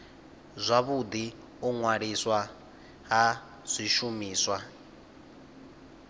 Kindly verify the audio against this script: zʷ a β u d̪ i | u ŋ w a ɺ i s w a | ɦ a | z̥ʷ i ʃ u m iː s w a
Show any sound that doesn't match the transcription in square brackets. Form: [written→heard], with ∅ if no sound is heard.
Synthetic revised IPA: zʷ a β u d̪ i | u ŋ w a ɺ i s w a | ɦ a | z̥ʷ i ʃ u m iː s w a